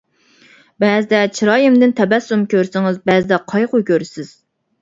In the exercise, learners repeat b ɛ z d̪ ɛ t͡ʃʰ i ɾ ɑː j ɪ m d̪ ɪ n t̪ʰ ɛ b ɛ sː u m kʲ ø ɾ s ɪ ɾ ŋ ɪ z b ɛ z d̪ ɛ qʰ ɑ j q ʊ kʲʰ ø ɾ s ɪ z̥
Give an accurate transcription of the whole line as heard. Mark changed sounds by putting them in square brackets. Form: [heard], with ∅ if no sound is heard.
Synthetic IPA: b ɛ z d̪ ɛ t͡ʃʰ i ɾ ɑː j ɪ m d̪ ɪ n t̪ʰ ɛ b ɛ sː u m kʲ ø ɾ s ɪ [∅] ŋ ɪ z b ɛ z d̪ ɛ qʰ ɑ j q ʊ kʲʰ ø ɾ s ɪ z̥